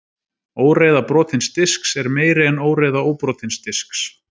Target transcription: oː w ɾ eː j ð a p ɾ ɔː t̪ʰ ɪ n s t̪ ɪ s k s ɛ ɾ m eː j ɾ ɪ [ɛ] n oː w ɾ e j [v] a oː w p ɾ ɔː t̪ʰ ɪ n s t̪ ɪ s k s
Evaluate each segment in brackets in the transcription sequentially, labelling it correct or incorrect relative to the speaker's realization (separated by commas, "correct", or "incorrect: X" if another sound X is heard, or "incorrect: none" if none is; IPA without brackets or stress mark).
correct, incorrect: ð